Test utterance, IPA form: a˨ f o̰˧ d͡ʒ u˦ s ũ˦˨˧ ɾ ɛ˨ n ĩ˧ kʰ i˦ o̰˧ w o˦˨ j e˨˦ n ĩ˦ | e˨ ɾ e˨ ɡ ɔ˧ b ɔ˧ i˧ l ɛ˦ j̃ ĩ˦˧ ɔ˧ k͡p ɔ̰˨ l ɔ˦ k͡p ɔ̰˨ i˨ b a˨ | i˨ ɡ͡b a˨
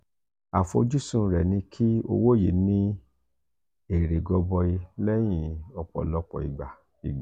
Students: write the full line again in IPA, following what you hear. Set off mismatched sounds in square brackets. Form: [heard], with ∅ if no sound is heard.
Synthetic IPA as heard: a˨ f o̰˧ d͡ʒ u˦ s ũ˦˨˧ ɾ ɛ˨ n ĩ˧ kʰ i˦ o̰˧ w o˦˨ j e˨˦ n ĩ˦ | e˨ ɾ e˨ ɡ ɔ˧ b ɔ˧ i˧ l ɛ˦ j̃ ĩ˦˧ ɔ˧ k͡p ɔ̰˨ l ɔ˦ k͡p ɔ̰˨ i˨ [ɡ͡b] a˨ | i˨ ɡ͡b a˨